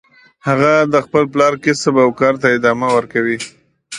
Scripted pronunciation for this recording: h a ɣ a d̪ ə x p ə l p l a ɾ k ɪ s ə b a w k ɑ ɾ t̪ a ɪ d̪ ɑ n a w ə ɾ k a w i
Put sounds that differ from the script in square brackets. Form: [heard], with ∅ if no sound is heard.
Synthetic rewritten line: h a ɣ a d̪ ə x p ə l p l [ɑ] ɾ k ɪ s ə b a w k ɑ ɾ t̪ a ɪ d̪ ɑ [m] a w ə ɾ k a w i